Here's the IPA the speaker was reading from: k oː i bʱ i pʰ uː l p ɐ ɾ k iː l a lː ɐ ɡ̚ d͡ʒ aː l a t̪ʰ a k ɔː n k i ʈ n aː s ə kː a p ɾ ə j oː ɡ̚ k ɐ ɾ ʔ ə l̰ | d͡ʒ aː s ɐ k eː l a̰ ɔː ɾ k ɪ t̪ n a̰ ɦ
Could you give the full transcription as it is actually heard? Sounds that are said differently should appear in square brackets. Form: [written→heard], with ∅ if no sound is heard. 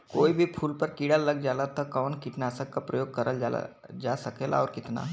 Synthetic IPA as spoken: k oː i bʱ i pʰ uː l p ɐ ɾ k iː [l→ɽ] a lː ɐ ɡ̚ d͡ʒ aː l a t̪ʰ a k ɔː n k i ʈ n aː s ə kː a p ɾ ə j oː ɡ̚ k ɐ ɾ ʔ ə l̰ | d͡ʒ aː s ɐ k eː l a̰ ɔː ɾ k ɪ t̪ n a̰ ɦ